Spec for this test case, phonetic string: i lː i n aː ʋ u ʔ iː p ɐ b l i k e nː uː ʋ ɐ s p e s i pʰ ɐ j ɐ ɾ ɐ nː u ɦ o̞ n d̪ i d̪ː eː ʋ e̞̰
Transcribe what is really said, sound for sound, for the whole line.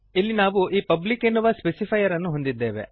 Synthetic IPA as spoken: i lː i n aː ʋ u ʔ iː p ɐ b l i k e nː u ʋ ɐ s p e s i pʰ ɐ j ɐ ɾ ɐ nː u ɦ o̞ n d̪ i d̪ː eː ʋ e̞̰